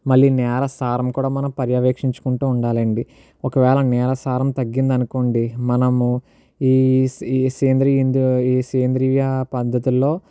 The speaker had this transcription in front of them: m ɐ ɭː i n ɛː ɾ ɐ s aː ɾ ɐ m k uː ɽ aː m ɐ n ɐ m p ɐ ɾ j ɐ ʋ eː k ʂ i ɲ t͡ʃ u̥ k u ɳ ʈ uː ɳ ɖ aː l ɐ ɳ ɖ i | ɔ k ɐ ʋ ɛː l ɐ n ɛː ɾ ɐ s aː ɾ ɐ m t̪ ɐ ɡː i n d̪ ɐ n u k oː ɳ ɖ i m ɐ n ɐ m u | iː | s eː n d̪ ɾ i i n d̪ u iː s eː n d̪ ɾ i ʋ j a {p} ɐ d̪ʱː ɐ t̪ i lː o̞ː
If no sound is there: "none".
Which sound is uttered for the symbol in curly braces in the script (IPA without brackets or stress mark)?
p